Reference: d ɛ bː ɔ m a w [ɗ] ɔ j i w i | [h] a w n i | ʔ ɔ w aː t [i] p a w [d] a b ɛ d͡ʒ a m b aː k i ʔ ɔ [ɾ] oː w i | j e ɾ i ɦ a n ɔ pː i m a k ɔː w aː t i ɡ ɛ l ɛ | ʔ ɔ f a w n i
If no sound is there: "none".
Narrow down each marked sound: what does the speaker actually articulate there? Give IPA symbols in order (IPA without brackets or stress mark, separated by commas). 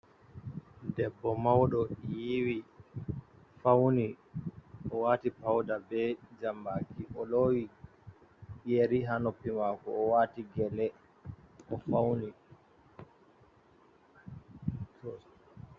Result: ɗ, f, i, d, l